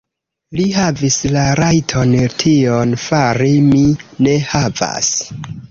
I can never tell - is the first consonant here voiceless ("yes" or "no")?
no